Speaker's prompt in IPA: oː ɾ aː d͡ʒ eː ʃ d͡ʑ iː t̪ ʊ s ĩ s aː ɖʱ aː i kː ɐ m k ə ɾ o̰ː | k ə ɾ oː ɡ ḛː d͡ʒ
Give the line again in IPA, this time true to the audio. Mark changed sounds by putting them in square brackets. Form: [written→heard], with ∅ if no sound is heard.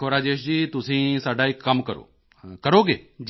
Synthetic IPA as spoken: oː ɾ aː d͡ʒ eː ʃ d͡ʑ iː t̪ ʊ s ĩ s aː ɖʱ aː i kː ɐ m k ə ɾ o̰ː | k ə ɾ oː ɡ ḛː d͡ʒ